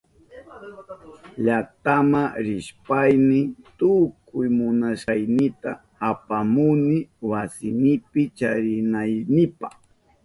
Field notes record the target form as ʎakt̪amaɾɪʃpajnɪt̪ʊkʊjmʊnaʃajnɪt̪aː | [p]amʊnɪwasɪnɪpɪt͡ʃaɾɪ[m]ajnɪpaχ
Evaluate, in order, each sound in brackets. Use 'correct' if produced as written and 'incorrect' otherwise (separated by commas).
correct, incorrect